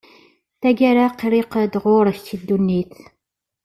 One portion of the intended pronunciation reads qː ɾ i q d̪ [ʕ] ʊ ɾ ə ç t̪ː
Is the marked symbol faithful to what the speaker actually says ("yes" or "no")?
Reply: no